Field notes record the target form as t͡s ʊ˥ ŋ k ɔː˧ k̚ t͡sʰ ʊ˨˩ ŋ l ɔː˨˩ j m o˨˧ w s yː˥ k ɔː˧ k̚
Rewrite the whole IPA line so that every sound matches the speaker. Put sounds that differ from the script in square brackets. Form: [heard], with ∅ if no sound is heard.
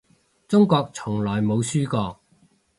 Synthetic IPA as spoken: t͡s ʊ˥ ŋ k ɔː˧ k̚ t͡sʰ ʊ˨˩ ŋ l ɔː˨˩ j m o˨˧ w s yː˥ k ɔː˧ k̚